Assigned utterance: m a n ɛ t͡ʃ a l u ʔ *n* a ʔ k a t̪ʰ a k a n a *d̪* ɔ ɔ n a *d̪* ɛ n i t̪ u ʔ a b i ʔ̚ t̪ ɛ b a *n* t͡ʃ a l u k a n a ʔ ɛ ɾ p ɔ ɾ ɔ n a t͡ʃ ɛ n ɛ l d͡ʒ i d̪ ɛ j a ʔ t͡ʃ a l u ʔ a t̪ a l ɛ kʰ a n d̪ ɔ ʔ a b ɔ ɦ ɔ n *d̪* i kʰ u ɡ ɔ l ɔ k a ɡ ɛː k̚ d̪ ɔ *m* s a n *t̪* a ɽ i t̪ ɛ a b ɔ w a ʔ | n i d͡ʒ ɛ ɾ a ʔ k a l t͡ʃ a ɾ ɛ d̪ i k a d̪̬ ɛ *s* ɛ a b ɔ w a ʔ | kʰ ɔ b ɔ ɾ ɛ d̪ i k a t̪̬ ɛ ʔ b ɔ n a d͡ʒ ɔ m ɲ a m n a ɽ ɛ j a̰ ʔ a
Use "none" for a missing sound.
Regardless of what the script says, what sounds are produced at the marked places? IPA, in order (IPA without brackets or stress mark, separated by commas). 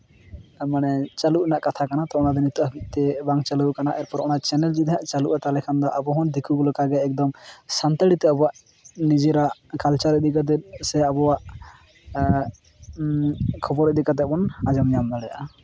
n, t̪, d̪, ŋ, d̪, m, t̪, s